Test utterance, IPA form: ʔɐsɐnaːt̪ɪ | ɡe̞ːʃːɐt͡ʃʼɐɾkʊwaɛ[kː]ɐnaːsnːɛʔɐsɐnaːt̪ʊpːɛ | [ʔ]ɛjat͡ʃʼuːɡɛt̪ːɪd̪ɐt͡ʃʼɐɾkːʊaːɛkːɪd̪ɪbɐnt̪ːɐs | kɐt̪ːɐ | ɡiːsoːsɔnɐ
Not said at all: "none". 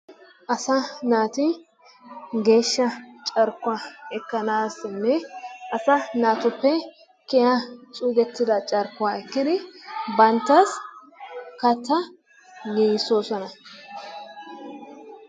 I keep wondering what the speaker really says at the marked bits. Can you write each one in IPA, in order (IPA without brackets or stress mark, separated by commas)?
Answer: kː, k